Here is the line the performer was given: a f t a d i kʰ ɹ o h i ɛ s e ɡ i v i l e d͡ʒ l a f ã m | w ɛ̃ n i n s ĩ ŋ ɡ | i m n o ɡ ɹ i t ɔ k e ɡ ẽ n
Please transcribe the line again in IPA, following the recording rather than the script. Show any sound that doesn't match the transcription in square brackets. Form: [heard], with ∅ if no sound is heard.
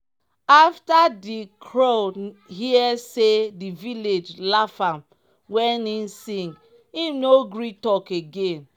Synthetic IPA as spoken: a f t a d i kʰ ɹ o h i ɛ s e [d] i v i l e d͡ʒ l a f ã m | w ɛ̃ n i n s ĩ ŋ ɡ | i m n o ɡ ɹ i t ɔ k e ɡ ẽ n

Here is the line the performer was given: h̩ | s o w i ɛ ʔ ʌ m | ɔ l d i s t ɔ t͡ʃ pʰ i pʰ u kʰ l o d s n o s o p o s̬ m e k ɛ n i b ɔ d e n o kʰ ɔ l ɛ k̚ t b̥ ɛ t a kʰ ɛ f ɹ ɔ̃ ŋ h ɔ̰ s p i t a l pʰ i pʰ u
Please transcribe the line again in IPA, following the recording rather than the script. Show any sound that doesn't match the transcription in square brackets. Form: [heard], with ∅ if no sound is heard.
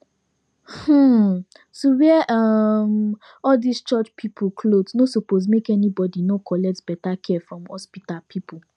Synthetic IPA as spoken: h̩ | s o w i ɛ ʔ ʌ m | ɔ l d i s [t͡ʃ] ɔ t͡ʃ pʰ i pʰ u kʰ l o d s n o s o p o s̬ m e k ɛ n i b ɔ d [i] n o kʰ ɔ l ɛ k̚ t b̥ ɛ t a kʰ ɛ f ɹ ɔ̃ [m] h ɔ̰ s p i t a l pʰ i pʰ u

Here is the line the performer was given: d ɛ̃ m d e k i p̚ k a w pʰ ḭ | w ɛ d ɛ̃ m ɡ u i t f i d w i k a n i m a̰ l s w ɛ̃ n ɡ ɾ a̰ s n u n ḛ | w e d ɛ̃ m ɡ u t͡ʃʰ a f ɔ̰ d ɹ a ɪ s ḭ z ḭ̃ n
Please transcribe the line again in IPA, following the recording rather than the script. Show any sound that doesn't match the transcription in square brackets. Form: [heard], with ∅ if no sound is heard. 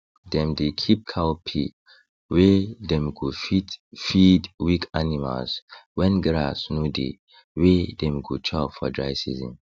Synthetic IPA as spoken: d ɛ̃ m d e [kʰ] i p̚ [kʰ] a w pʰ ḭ | w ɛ d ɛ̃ m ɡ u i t f i d w i k a n i m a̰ l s w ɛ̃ n ɡ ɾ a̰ s n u [d] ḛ | w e d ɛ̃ m ɡ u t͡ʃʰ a f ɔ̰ d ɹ a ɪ s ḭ z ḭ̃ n

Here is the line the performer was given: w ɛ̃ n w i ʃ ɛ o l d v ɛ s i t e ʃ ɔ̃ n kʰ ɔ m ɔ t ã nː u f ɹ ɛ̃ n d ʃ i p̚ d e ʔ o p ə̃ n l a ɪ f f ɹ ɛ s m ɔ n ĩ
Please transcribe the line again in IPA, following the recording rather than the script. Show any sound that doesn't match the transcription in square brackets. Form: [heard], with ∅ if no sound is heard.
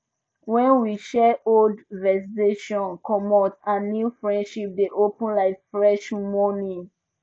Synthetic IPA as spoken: w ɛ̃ n w i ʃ ɛ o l d v ɛ s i t e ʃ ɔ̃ n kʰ ɔ m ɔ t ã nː u f ɹ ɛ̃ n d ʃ i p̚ d e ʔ o p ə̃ n l a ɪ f f ɹ ɛ [ʃ] m ɔ n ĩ

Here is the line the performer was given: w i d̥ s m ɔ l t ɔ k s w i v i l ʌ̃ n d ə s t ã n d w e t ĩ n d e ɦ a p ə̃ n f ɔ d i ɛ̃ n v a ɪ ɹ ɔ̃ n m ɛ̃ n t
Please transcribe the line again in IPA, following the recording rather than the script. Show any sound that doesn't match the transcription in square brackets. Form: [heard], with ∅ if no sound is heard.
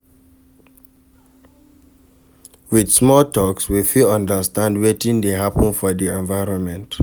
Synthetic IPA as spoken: w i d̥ s m ɔ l t ɔ k s w i [f] i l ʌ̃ n d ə s t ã n d w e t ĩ n d e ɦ a p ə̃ n f ɔ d i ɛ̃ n v a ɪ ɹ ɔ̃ n m ɛ̃ n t

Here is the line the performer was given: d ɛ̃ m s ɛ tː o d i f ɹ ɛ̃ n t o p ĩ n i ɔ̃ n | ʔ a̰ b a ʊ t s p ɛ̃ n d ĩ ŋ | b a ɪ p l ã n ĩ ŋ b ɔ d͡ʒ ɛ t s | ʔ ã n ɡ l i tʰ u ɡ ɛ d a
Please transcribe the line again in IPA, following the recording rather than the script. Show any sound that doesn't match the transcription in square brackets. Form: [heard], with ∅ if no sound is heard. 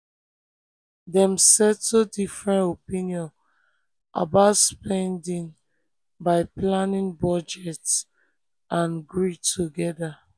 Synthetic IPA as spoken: d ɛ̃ m s ɛ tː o d i f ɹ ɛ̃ n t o p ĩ n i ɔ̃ n | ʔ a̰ b a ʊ t s p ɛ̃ n d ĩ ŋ | b a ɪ p l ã n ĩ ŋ b ɔ d͡ʒ ɛ t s | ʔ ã n ɡ [ɹ] i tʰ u ɡ ɛ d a

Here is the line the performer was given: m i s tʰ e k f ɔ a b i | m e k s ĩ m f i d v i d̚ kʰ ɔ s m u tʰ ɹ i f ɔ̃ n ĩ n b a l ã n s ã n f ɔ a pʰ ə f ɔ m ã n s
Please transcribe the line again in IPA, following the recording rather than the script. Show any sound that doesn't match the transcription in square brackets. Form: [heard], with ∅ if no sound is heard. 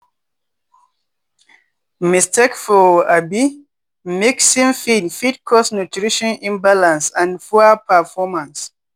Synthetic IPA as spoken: m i s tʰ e k f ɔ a b i | m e k s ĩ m f i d [f] i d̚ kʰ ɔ s [n] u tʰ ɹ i [ʃ] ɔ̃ n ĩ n b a l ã n s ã n f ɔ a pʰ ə f ɔ m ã n s

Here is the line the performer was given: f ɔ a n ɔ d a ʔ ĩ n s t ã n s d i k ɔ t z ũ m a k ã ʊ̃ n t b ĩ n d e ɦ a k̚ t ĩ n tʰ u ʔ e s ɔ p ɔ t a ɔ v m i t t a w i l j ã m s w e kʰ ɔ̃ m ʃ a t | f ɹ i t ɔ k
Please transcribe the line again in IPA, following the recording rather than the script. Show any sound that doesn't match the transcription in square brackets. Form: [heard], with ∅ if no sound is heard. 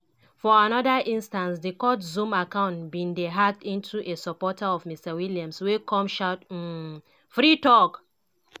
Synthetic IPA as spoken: f ɔ a n ɔ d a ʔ ĩ n s t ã n s d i k ɔ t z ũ m a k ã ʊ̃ n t b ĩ n d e ɦ a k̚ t ĩ n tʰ u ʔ e s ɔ p ɔ t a ɔ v m i [s] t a w i l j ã m s w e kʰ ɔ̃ m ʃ a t | f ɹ i t ɔ k

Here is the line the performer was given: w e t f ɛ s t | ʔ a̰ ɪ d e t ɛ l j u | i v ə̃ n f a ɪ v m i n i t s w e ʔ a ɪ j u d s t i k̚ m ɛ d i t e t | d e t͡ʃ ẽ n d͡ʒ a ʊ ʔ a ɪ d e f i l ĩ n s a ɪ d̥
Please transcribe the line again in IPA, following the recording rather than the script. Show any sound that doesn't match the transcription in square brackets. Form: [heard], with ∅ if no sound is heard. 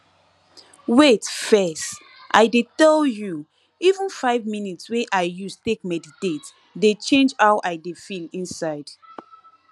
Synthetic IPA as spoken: w e t f ɛ s t | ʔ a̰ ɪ d e t ɛ l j u | i v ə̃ n f a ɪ v m i n i t s w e ʔ a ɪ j u [∅] s t [e] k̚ m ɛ d i t e t | d e t͡ʃ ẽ n d͡ʒ a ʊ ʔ a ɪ d e f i l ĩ n s a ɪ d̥

